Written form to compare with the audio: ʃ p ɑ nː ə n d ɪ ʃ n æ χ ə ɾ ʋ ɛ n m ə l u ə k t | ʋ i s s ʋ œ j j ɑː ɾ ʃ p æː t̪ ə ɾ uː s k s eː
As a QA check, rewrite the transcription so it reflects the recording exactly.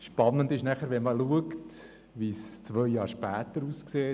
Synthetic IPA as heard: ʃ p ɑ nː ə n d ɪ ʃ n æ χ ə ɾ ʋ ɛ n m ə l u ə k t | ʋ i s t͡s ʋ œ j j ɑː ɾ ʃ p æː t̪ ə ɾ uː s k s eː